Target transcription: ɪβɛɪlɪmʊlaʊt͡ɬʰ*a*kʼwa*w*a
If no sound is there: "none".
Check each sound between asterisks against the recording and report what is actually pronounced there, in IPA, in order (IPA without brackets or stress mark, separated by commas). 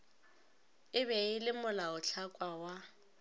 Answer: a, w